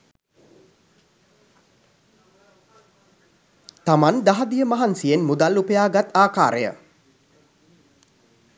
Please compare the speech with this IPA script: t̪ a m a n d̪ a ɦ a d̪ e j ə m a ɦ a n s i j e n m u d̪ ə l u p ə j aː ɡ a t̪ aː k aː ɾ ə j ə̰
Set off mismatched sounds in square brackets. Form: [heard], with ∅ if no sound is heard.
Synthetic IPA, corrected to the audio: t̪ a m a n d̪ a ɦ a d̪ [i] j ə m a ɦ a n s i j e n m u d̪ [a] l u p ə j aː ɡ a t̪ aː k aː ɾ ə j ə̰